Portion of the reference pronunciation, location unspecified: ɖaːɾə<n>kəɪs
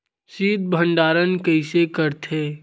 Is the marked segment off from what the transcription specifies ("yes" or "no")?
no